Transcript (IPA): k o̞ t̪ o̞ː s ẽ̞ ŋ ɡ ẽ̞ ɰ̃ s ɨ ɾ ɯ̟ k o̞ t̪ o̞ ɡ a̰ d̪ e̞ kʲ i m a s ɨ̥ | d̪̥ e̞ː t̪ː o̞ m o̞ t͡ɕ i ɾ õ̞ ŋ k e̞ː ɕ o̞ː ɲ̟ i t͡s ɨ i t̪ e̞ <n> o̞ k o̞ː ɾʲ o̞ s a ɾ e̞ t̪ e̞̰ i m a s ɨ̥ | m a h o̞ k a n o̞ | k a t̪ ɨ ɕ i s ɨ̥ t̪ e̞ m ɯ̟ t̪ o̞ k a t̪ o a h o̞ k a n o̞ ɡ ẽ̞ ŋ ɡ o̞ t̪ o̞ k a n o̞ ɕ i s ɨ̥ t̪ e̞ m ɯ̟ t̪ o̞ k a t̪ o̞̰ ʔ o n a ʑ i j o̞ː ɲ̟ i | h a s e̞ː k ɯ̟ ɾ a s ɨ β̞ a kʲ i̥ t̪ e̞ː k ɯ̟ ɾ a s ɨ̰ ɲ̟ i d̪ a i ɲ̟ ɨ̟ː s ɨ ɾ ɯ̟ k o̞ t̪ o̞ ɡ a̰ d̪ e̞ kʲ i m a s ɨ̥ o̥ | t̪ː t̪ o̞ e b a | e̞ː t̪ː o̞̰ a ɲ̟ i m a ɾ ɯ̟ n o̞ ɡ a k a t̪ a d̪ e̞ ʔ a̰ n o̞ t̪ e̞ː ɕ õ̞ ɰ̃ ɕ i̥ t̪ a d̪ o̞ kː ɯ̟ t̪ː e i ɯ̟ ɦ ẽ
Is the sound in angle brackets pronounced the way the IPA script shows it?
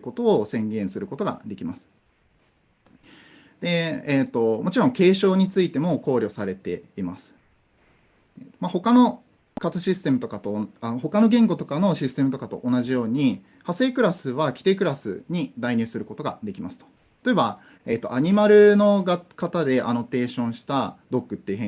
no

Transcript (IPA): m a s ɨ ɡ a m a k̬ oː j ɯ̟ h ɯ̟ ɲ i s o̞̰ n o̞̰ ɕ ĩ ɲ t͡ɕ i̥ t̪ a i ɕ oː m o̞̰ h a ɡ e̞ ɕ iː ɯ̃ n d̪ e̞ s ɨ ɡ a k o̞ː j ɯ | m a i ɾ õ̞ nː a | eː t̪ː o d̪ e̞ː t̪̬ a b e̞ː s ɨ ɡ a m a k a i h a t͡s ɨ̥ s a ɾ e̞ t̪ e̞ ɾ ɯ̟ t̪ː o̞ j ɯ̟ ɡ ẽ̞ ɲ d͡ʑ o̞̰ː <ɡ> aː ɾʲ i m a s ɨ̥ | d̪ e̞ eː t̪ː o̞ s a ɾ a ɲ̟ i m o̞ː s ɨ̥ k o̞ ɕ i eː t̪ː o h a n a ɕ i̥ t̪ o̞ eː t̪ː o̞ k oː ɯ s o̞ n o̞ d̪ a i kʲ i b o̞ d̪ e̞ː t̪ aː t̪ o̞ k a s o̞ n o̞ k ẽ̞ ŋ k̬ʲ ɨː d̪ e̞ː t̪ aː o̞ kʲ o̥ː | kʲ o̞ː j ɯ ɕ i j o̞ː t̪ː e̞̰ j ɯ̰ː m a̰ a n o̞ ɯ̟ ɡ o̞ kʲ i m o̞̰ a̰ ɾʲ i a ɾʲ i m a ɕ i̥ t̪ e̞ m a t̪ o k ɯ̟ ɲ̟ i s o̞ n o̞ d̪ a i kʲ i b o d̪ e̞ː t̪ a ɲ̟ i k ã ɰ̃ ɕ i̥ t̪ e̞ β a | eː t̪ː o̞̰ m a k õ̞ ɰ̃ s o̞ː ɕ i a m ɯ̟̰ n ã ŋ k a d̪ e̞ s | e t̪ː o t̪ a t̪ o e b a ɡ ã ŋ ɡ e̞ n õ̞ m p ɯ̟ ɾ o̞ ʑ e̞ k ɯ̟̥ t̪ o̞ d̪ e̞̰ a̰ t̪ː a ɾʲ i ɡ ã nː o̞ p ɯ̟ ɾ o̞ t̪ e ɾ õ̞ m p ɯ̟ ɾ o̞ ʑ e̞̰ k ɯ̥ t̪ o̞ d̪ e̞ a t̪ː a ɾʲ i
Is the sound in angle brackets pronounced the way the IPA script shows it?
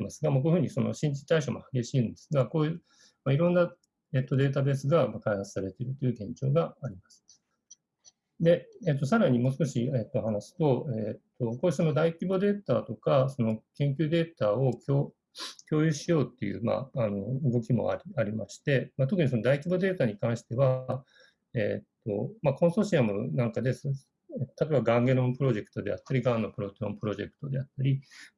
yes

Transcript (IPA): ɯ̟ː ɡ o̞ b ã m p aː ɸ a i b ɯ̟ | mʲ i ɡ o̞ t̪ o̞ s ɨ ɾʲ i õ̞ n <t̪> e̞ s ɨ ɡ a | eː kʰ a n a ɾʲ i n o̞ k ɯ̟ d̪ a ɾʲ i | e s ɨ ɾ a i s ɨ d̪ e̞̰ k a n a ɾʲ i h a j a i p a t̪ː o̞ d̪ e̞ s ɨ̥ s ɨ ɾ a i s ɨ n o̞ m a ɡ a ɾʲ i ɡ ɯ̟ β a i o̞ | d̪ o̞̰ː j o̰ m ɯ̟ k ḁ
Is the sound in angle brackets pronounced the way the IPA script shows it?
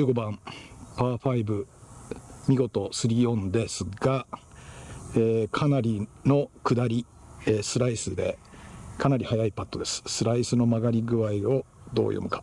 no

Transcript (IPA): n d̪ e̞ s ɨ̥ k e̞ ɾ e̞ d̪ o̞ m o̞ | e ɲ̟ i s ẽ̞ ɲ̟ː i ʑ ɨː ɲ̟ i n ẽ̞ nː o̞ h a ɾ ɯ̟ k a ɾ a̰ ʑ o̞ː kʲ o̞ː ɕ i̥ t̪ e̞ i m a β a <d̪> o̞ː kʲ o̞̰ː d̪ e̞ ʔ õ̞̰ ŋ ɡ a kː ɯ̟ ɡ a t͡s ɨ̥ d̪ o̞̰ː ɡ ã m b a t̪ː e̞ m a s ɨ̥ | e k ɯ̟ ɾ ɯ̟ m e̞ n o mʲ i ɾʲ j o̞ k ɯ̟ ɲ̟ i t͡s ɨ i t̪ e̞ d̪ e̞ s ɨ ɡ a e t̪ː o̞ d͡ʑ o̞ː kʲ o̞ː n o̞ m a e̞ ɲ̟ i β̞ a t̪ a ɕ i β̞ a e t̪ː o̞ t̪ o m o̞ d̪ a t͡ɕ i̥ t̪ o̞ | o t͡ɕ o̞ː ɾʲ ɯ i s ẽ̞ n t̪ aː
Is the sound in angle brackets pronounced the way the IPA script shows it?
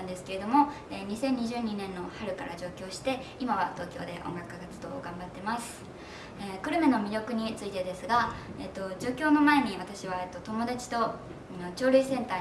no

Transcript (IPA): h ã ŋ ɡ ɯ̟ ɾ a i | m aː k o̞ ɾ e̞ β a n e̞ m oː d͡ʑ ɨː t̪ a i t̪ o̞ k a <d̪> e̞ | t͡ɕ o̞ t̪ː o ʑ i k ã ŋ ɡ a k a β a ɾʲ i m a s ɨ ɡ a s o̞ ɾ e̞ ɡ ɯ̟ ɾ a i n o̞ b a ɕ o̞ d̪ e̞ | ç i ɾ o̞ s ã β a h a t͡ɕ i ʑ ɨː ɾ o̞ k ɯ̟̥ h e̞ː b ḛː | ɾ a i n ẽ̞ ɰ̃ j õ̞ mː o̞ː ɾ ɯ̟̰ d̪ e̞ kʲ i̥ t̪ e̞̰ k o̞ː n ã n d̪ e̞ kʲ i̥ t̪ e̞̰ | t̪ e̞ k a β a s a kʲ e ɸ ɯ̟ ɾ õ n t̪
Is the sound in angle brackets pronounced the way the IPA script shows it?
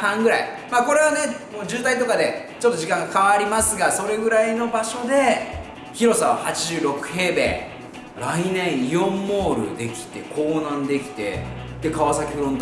yes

